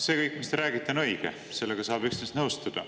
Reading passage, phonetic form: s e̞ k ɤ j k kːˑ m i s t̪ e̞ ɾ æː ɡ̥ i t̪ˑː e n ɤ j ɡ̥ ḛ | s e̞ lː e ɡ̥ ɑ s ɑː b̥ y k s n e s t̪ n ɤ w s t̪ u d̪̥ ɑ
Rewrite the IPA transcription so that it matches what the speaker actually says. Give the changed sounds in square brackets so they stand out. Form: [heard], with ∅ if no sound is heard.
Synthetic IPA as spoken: s e̞ k ɤ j k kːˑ m i s t̪ e̞ ɾ æː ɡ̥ i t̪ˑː e n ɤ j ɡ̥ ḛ | s e̞ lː e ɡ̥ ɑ s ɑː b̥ y k s n e s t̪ n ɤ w s t̪ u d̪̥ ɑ